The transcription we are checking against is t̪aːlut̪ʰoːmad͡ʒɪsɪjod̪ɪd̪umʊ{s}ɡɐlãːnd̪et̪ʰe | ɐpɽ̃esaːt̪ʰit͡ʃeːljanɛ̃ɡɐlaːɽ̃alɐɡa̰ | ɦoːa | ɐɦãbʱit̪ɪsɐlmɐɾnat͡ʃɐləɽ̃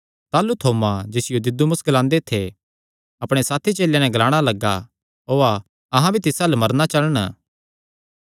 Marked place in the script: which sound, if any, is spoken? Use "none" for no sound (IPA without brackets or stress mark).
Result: s